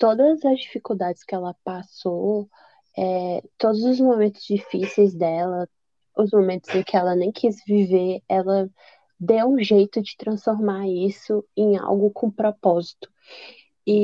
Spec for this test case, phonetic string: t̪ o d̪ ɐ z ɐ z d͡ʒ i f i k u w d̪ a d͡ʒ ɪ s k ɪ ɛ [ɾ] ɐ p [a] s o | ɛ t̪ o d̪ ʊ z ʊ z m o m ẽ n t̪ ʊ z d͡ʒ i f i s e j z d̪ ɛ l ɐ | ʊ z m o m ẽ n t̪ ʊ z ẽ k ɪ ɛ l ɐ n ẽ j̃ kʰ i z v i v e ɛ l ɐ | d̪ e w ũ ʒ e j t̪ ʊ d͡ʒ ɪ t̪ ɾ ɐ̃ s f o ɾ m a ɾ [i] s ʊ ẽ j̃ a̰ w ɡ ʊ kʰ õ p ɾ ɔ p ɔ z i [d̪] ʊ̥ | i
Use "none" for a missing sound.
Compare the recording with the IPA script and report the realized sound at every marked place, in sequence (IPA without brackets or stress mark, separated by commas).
l, a, i, t̪